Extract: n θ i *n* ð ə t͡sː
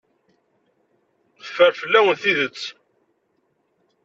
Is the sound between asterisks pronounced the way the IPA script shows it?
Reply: no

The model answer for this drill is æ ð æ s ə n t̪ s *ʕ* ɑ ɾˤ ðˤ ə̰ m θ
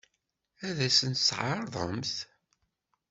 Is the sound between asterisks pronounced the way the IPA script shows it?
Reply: yes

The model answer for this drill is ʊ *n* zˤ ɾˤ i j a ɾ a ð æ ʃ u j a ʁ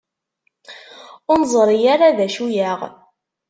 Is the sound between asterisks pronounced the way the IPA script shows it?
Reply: yes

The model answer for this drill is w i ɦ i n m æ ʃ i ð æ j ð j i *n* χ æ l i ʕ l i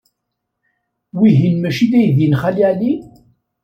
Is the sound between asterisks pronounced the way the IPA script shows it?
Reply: yes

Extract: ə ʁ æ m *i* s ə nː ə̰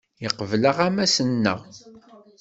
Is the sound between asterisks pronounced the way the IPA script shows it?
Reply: no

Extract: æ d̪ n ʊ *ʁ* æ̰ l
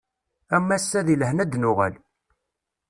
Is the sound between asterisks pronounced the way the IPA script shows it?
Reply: yes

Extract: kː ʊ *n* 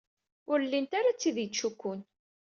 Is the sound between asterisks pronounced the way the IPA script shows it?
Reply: yes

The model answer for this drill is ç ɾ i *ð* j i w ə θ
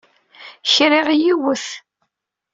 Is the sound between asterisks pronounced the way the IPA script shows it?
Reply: no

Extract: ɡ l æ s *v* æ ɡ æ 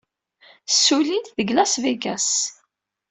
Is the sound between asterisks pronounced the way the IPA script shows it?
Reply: yes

